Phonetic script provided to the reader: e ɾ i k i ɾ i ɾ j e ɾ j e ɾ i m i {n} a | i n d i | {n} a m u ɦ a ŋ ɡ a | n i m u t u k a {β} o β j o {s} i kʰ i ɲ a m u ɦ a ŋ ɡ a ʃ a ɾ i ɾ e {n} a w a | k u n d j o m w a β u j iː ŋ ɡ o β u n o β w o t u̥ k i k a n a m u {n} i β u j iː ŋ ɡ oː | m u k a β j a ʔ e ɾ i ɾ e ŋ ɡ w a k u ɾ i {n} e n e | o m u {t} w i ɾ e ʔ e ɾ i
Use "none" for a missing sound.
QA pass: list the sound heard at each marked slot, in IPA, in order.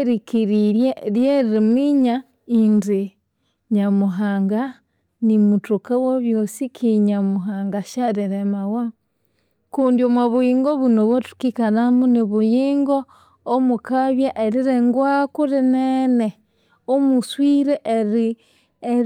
ɲ, ɲ, w, s, m, n, n, s

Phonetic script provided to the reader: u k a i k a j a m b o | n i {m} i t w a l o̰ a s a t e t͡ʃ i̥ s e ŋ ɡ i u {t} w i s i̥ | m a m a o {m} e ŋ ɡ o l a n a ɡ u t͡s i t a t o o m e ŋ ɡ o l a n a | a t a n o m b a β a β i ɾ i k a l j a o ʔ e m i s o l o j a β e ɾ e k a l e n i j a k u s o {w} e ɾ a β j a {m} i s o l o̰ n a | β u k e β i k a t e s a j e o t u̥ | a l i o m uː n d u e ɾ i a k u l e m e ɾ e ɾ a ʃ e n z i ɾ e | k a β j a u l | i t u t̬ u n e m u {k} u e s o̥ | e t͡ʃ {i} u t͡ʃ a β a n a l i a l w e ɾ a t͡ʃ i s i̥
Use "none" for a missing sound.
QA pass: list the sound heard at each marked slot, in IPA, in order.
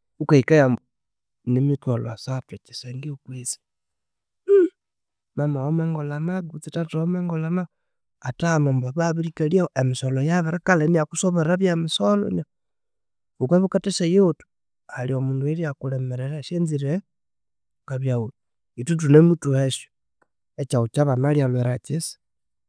m, k, m, β, m, t, a

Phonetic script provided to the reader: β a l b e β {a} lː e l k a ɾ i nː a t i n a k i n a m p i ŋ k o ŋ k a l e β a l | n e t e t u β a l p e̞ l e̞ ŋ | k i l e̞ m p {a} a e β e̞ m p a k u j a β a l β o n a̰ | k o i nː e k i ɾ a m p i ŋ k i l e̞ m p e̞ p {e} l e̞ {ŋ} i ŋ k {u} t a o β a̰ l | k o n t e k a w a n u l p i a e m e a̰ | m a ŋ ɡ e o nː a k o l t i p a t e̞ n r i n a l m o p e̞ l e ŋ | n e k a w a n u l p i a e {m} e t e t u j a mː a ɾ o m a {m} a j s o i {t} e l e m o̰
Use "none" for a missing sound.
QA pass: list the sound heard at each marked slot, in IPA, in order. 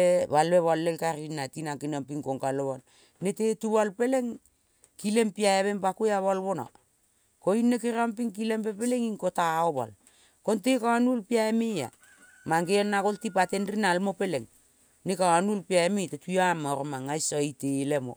a, i, e, ŋ, o, m, ŋ, t

